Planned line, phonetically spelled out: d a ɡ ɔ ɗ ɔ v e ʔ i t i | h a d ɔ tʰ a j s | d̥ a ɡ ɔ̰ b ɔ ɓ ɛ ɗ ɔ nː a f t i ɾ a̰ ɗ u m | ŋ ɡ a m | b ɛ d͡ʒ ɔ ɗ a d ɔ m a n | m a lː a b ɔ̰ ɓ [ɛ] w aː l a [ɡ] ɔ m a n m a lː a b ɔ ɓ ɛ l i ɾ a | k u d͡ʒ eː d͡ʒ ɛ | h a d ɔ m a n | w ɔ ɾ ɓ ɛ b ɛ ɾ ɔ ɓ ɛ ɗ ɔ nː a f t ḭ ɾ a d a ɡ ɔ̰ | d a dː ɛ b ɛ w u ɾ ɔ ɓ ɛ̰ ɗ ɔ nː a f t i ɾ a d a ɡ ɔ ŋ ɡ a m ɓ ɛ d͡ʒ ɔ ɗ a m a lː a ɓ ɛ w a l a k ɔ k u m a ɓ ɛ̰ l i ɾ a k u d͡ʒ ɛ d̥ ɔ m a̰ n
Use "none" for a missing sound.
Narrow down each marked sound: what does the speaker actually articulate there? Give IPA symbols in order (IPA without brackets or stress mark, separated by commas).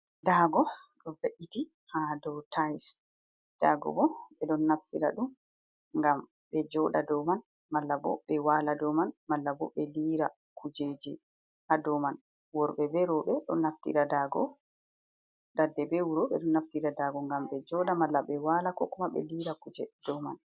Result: ɛ, d